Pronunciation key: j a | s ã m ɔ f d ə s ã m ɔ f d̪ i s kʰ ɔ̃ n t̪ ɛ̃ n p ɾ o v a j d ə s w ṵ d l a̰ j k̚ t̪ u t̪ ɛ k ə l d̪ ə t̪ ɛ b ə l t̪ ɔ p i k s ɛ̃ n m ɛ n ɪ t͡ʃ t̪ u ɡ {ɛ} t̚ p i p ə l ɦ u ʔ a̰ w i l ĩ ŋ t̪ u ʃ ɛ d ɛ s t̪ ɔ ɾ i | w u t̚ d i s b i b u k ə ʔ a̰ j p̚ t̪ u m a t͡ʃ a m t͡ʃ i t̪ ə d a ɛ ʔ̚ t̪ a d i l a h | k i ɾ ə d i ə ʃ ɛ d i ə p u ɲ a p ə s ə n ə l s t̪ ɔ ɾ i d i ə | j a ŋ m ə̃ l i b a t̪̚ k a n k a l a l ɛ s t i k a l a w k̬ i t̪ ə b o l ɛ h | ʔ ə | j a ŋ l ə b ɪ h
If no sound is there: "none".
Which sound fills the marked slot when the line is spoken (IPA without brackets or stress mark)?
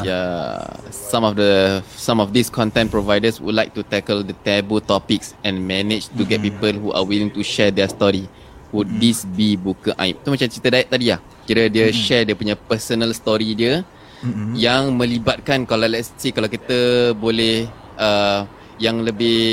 ɛ